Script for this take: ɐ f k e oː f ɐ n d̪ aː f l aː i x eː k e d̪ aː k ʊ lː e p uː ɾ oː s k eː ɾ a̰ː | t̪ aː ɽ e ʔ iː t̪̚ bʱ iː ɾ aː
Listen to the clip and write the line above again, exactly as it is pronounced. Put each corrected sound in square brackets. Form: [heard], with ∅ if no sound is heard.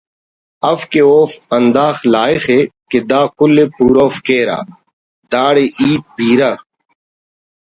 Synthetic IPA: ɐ f k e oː f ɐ n d̪ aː [x] l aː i x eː k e d̪ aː k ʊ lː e p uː ɾ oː [f] k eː ɾ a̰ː | [d̪] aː ɽ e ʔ iː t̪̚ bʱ iː ɾ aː